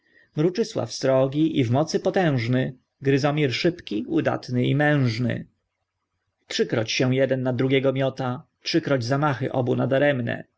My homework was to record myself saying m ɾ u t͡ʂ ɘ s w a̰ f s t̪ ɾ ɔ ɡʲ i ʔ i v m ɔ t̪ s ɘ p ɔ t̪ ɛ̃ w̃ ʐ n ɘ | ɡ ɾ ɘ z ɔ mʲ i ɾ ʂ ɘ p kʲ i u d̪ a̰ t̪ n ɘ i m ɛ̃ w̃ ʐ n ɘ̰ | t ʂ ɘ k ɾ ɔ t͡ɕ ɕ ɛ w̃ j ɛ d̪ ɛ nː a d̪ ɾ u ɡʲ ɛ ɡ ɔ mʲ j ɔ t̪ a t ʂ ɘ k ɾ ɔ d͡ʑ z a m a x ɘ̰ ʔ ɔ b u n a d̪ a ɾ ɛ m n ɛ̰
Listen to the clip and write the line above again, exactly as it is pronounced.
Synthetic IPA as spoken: m ɾ u t͡ʂ ɘ s w a̰ f s t̪ ɾ ɔ ɡʲ i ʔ i v m ɔ t̪ s ɘ p ɔ t̪ ɛ̃ w̃ ʐ n ɘ | ɡ ɾ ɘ z ɔ mʲ i ɾ ʂ ɘ p kʲ i u d̪ a̰ t̪ n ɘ i m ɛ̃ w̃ ʐ n ɘ̰ | t ʂ ɘ k ɾ ɔ t͡ɕ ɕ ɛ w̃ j ɛ d̪ ɛ nː a d̪ ɾ u ɡʲ ɛ ɡ ɔ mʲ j ɔ t̪ a t ʂ ɘ k ɾ ɔ d͡ʑ z a m a x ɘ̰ ʔ ɔ b u n a d̪ a ɾ ɛ m n ɛ̰

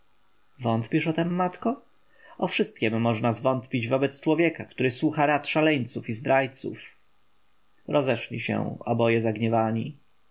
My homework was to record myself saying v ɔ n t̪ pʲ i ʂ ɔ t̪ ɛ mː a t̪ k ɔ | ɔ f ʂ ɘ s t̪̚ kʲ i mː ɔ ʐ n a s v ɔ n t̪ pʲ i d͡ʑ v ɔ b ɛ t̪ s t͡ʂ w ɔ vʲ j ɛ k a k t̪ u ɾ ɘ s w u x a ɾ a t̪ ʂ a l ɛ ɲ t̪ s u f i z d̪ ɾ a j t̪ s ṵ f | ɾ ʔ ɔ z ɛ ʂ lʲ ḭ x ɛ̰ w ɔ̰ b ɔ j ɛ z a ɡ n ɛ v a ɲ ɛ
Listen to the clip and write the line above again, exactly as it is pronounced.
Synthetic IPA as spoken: v ɔ n t̪ pʲ i ʂ ɔ t̪ ɛ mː a t̪ k ɔ | ɔ f ʂ ɘ s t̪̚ kʲ ɛ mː ɔ ʐ n a z v ɔ n t̪ pʲ i d͡ʑ v ɔ b ɛ t̪ s t͡ʂ w ɔ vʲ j ɛ k a k t̪ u ɾ ɘ s w u x a ɾ a t̪ ʂ a l ɛ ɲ t̪ s u f i z d̪ ɾ a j t̪ s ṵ f | ɾ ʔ ɔ z ɛ ʂ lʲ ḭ ɕ ɛ̰ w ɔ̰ b ɔ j ɛ z a ɡ ɲ ɛ v a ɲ i

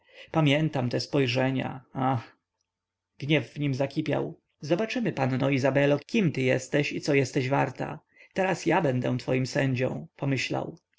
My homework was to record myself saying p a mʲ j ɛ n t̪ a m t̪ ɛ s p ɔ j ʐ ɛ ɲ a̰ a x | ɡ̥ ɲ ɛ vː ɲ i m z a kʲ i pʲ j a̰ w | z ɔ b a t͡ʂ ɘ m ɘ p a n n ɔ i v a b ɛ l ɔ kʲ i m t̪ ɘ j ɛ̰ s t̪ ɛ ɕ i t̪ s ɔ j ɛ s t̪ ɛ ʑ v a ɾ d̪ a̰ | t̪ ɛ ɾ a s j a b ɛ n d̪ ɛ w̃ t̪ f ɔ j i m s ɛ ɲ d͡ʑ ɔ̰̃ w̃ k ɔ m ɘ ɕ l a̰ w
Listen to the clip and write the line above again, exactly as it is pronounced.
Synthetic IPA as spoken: p a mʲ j ɛ n t̪ a m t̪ ɛ s p ɔ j ʐ ɛ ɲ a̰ a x | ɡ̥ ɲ ɛ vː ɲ i m z a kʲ i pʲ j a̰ w | z ɔ b a t͡ʂ ɘ m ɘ p a n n ɔ i z a b ɛ l ɔ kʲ i m t̪ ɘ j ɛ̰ s t̪ ɛ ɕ i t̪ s ɔ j ɛ s t̪ ɛ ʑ v a ɾ t̪ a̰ | t̪ ɛ ɾ a s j a b ɛ n d̪ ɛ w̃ t̪ f ɔ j i m s ɛ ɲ d͡ʑ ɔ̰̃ w̃ p ɔ m ɘ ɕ l a̰ w

